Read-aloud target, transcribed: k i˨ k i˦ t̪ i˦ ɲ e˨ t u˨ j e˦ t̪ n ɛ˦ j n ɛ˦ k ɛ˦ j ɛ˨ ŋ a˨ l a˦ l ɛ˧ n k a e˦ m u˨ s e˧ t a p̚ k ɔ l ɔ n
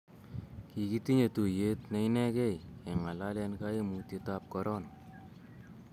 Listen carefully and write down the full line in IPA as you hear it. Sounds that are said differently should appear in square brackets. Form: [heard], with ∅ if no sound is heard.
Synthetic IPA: k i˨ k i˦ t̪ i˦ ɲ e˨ t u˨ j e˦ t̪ n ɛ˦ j n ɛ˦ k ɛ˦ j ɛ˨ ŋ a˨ l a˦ l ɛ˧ n k a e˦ m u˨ [t] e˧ t a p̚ k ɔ [ɾ] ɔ n